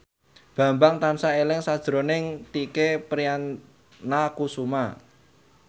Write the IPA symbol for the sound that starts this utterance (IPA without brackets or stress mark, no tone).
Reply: b̥